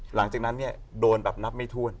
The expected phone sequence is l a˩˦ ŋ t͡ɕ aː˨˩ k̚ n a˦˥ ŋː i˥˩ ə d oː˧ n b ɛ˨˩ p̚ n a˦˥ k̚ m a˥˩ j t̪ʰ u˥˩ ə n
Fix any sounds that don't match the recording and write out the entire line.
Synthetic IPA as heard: l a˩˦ ŋ t͡ɕ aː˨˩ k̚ n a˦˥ nː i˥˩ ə d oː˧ n b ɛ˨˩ p̚ n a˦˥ p̚ m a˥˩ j t̪ʰ u˥˩ ə n